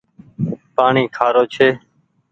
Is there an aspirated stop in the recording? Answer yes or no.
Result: yes